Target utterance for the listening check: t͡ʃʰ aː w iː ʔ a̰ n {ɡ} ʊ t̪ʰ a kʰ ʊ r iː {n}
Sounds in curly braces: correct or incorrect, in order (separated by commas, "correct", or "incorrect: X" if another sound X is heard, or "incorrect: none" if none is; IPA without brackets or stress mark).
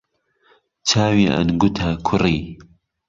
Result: correct, incorrect: none